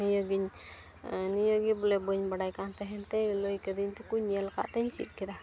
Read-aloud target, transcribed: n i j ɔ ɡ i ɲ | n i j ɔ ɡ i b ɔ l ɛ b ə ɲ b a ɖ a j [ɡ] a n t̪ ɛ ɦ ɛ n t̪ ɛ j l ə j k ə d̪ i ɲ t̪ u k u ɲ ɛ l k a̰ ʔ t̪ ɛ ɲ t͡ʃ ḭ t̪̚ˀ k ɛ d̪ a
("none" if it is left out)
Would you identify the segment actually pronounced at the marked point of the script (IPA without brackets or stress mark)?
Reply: k